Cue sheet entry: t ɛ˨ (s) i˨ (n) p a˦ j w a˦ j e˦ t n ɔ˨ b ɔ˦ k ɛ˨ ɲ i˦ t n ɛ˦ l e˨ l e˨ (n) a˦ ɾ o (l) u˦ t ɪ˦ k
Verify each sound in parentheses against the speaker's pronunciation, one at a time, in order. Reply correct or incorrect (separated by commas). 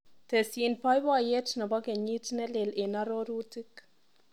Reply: correct, correct, correct, incorrect